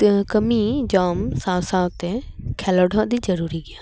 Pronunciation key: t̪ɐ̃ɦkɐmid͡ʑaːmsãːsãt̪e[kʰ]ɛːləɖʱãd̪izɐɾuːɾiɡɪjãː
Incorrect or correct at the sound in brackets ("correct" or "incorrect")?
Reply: correct